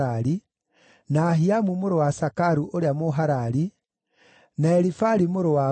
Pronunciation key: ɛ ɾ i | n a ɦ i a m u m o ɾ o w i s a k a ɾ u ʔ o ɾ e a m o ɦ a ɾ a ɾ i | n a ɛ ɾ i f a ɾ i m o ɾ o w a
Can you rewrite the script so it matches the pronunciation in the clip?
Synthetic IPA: a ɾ i | n a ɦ i a m u m o ɾ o w a s a k a ɾ u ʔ o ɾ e a m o ɦ a ɾ a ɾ i | n a ɛ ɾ i f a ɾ i m o ɾ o w a